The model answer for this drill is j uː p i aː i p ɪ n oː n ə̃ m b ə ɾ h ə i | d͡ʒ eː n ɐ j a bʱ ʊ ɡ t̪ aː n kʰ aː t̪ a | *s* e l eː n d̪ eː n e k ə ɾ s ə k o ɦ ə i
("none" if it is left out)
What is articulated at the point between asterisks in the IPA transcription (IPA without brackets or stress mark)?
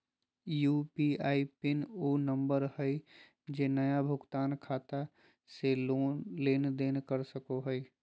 s